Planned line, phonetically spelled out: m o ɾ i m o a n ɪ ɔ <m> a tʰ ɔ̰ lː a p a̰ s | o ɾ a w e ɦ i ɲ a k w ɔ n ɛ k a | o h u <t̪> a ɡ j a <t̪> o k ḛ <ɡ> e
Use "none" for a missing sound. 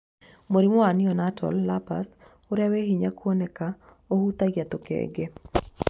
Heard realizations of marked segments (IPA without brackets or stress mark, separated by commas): n, t̪, t̪, ɡ